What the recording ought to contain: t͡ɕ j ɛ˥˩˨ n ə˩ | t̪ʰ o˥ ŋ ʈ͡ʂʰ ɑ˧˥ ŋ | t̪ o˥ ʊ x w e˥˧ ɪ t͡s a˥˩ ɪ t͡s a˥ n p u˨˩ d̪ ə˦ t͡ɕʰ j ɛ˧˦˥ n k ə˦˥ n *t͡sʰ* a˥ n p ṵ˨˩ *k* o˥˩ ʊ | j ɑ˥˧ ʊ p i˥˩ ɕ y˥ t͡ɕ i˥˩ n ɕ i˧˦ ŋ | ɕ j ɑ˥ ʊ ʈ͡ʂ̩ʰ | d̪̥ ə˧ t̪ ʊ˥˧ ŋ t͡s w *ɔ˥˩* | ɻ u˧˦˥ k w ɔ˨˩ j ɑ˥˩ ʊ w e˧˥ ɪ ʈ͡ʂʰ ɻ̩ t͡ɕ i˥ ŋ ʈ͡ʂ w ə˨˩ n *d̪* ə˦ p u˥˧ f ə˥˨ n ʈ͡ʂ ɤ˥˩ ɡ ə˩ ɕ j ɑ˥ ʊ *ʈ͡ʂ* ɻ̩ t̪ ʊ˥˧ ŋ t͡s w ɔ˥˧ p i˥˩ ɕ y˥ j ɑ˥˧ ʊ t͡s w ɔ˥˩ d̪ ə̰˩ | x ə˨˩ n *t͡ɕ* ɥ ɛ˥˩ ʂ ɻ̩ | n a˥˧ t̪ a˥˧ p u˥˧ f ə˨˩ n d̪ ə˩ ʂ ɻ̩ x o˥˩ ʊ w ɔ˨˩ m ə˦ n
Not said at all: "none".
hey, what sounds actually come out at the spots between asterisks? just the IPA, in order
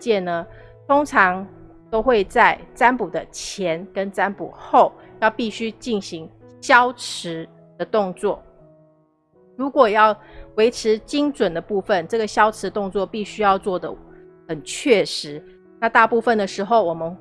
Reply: t͡s, x, ɔ˥˩, d̪, ʈ͡ʂʰ, t͡ɕʰ

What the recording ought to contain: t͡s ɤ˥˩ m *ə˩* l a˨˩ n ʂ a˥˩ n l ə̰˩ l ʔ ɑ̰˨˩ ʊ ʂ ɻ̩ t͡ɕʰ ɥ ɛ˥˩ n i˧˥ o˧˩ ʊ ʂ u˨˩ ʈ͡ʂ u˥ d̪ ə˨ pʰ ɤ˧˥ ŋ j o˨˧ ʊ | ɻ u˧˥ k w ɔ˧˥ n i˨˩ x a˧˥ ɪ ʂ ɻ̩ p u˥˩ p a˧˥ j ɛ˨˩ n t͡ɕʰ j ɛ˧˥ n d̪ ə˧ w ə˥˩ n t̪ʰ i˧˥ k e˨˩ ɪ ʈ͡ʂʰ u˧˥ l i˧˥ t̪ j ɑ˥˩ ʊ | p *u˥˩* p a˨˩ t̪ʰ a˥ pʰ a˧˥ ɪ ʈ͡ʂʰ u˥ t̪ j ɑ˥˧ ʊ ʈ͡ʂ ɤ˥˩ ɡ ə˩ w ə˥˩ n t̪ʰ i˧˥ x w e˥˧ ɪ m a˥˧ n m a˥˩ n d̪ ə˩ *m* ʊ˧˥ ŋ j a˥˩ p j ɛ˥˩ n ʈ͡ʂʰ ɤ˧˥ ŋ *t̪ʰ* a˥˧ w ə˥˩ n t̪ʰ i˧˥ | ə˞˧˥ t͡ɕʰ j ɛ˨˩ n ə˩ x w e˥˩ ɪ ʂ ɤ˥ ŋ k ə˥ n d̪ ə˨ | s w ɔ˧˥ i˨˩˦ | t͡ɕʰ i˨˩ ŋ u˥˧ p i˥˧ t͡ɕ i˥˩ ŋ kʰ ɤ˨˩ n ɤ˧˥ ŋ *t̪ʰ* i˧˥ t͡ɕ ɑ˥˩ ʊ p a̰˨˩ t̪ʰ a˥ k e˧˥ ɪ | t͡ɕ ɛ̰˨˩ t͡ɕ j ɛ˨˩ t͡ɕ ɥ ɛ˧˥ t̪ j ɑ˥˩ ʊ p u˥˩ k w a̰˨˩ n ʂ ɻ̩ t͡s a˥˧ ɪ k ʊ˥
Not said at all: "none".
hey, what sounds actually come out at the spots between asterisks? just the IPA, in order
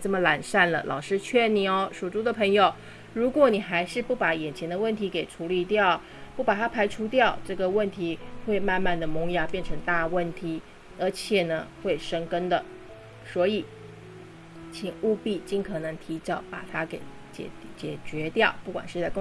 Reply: ə˩, u˥˩, m, t̪, t̪ʰ

